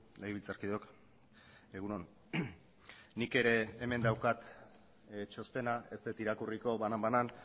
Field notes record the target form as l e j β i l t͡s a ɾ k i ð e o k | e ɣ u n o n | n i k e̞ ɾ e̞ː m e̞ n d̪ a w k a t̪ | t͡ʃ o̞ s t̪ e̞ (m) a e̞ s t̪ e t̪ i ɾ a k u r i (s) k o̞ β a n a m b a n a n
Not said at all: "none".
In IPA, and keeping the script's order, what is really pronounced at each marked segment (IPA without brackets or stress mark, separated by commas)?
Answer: n, none